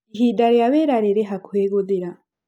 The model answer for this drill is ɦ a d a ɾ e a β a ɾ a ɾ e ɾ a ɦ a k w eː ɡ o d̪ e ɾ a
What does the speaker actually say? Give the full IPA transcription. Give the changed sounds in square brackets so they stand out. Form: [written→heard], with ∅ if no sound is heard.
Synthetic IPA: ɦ [a→i] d a ɾ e a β [a→e] ɾ a ɾ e ɾ [a→e] ɦ a k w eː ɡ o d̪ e ɾ a